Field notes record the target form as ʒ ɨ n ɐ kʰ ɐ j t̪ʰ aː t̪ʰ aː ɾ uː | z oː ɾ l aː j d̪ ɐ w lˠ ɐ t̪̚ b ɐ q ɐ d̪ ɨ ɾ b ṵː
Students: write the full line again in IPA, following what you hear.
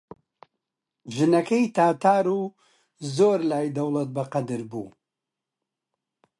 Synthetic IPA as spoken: ʒ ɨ n ɐ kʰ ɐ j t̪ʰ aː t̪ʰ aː ɾ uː | z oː ɾ l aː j d̪ ɐ w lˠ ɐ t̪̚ b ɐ q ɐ d̪ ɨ ɾ b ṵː